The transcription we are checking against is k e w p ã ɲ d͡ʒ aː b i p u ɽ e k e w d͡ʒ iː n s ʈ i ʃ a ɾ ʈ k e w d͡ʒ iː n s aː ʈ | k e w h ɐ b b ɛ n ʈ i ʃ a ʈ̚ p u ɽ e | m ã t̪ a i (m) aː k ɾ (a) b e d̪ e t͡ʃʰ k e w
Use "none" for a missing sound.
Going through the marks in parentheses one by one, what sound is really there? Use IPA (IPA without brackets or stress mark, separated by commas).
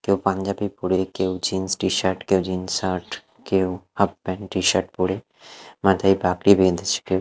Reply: b, i